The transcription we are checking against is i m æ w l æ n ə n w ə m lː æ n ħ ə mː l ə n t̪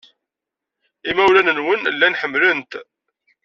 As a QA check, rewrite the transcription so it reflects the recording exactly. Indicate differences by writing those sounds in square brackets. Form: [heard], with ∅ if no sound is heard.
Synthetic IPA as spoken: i m æ w l æ n ə n w ə [n] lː æ n ħ ə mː l ə n t̪